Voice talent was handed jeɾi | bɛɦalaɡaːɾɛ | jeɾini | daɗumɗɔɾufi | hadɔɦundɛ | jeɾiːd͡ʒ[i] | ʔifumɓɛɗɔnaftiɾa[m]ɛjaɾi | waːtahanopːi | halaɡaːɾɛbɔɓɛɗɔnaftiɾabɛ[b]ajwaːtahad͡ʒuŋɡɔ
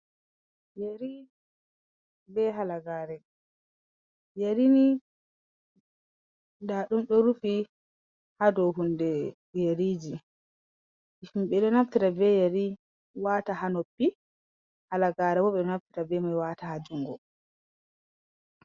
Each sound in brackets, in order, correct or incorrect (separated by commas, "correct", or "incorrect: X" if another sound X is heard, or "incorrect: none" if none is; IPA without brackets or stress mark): correct, incorrect: b, incorrect: m